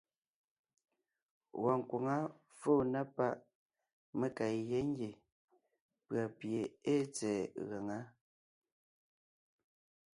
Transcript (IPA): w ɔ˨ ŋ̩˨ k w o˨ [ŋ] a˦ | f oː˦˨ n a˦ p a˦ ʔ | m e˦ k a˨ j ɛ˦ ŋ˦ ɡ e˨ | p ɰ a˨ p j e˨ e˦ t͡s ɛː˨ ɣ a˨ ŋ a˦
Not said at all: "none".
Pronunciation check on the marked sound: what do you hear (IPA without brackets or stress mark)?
ŋ